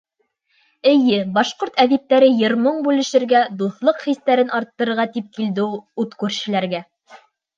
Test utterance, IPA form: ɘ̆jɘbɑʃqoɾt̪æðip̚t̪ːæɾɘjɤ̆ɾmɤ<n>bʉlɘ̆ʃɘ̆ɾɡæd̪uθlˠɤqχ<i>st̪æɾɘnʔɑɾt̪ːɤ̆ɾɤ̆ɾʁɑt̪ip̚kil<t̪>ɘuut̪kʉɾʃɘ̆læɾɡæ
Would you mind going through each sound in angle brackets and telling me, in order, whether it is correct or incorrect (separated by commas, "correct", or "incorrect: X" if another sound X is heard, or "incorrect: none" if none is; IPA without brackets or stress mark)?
incorrect: ɴ, correct, incorrect: d̪